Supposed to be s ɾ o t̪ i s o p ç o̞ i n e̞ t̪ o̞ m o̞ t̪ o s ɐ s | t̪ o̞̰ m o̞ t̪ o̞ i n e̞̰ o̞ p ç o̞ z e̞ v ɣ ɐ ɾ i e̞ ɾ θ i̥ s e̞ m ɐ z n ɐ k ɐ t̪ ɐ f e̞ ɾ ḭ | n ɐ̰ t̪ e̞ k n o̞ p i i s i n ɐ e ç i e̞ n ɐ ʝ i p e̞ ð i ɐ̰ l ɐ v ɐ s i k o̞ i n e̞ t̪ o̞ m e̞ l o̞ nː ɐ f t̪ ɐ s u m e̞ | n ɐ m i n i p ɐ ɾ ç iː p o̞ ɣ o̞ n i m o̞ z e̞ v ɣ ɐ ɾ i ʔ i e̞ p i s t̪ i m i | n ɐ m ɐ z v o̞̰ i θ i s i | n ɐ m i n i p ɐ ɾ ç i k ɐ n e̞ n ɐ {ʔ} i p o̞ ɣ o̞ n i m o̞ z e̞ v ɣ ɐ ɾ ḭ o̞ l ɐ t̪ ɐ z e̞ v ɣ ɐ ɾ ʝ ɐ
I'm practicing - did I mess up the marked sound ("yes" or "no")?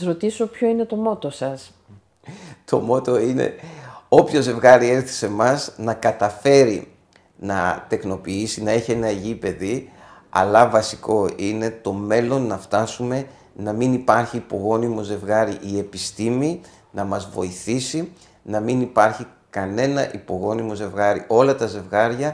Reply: no